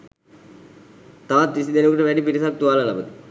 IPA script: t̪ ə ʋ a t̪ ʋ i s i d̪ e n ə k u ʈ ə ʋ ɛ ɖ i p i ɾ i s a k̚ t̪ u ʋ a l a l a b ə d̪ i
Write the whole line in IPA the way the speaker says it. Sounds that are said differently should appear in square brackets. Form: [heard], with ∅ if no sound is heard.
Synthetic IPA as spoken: t̪ [a] ʋ a t̪ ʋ i s i d̪ e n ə k u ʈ ə ʋ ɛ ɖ i p i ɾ i s a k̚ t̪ u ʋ a l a l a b ə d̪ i